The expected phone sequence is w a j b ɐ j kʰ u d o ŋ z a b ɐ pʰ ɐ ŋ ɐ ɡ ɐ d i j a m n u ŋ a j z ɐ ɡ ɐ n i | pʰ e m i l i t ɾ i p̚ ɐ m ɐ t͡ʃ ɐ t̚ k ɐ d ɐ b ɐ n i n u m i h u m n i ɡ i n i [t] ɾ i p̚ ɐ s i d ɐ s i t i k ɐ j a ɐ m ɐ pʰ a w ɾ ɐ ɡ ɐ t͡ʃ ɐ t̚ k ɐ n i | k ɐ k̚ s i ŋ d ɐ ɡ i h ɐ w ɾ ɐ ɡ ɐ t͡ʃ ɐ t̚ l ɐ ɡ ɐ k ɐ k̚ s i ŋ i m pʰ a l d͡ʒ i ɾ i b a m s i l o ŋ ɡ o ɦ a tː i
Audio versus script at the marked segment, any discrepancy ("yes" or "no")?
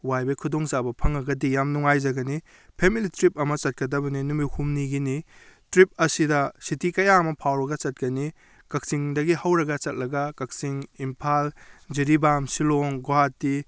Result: no